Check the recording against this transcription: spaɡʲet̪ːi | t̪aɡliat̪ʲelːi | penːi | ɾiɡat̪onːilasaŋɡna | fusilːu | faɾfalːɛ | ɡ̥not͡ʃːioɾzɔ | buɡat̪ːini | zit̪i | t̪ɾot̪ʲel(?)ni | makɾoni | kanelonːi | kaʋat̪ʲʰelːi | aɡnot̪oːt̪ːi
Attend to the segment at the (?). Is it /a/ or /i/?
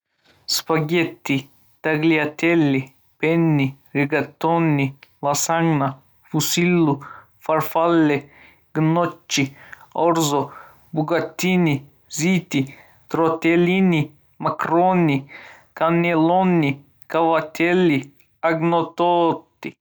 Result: i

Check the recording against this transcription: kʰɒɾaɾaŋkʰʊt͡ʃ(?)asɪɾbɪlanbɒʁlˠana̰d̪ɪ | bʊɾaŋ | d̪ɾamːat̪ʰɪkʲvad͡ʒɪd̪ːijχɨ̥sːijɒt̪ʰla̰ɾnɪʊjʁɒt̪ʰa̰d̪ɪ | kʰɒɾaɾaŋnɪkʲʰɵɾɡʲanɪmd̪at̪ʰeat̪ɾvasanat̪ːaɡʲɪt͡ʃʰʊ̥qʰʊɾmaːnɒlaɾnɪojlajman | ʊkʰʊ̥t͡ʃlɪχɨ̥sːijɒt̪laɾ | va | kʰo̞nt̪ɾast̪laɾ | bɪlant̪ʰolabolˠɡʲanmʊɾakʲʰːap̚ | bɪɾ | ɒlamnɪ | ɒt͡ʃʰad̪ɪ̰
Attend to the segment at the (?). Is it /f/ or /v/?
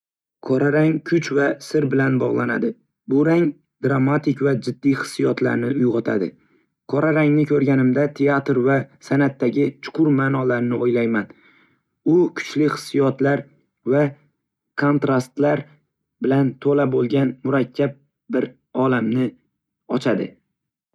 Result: v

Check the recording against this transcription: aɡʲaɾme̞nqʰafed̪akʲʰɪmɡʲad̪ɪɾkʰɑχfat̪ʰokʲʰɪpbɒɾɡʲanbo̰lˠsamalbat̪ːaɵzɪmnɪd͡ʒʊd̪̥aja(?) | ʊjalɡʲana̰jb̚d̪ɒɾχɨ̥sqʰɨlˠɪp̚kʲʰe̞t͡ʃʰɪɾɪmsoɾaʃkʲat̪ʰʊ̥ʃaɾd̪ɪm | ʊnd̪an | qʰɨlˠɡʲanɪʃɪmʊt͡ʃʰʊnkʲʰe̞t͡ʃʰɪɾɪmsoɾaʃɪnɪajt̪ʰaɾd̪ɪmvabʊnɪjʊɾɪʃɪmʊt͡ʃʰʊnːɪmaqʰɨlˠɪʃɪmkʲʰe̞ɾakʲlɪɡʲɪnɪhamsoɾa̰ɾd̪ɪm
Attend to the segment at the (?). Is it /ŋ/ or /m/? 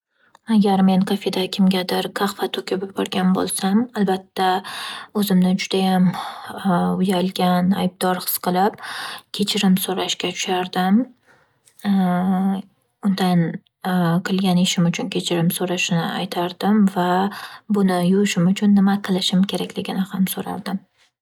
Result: m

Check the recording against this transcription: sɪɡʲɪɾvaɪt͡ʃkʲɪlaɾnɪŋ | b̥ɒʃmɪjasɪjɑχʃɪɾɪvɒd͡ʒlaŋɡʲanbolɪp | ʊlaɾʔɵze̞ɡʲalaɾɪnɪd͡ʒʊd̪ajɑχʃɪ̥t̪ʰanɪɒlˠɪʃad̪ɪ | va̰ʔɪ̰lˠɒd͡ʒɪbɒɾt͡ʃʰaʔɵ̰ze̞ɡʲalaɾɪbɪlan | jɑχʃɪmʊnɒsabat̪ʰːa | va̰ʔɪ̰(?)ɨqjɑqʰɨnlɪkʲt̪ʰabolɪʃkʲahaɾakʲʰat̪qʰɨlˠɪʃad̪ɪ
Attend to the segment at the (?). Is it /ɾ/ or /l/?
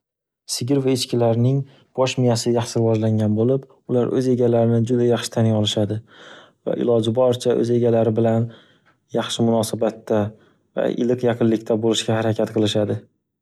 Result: l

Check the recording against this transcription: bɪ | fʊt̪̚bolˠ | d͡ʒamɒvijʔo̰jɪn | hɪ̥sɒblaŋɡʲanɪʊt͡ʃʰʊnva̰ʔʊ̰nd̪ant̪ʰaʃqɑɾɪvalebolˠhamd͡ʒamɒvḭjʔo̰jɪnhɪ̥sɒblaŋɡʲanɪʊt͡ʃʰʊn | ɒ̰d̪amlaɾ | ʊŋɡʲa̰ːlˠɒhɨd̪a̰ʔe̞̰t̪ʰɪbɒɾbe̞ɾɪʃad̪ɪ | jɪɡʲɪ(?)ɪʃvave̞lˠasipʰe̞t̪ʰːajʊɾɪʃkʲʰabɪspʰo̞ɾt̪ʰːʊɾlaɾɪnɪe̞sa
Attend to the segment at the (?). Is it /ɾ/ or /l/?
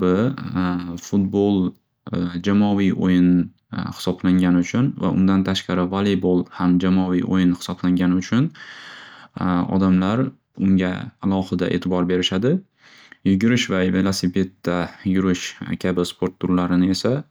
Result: ɾ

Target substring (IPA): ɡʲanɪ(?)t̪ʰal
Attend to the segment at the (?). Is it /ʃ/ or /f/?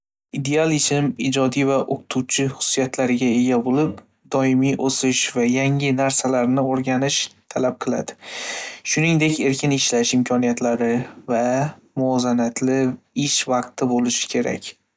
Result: ʃ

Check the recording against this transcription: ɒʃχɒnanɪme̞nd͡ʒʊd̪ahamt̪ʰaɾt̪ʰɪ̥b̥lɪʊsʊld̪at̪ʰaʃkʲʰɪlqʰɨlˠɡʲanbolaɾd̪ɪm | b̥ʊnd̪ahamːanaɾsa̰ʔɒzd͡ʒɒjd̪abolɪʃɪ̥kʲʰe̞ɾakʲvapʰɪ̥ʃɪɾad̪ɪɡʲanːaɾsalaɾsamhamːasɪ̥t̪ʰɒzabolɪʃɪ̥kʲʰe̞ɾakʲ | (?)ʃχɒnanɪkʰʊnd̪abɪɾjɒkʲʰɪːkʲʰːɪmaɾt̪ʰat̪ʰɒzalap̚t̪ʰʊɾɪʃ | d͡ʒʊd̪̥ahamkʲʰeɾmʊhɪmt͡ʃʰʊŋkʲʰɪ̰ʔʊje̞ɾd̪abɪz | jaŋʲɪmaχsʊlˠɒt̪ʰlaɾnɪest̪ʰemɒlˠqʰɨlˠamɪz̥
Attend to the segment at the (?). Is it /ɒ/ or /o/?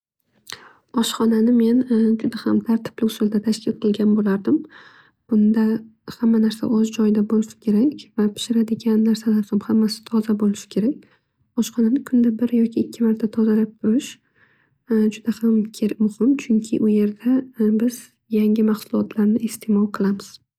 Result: ɒ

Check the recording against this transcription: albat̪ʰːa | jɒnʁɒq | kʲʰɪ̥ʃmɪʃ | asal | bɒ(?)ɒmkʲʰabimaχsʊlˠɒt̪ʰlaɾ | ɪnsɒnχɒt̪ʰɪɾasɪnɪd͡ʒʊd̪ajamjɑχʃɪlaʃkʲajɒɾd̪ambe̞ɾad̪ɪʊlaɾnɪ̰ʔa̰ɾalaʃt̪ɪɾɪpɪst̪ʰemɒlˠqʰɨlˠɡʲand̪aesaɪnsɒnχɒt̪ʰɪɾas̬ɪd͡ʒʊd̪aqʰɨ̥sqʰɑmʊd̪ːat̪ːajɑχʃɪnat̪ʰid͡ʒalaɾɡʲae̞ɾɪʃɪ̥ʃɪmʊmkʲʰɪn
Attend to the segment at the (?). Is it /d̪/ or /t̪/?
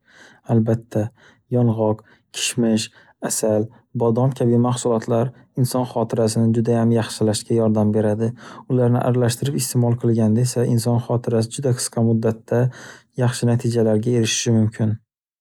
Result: d̪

